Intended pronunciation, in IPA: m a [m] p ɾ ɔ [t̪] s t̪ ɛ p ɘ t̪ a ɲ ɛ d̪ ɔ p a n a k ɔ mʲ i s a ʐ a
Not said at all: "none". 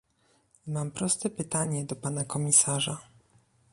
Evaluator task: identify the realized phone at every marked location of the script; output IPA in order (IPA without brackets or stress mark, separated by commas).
m, none